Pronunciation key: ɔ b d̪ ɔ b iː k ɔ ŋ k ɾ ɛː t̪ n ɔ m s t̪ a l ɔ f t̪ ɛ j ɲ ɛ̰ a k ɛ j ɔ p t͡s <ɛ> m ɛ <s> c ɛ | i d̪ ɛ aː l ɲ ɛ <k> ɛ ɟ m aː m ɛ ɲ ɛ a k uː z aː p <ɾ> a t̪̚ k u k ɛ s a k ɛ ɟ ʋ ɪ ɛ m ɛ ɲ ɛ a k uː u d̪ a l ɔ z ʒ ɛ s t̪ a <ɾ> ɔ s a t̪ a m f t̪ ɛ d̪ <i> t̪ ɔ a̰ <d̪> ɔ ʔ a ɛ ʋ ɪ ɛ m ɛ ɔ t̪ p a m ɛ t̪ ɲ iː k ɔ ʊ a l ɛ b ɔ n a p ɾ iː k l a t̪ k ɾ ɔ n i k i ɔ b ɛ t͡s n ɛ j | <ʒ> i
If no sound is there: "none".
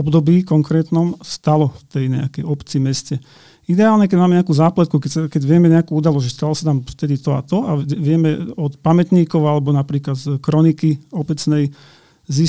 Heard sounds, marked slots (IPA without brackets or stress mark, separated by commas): i, s, k, l, l, i, t̪, z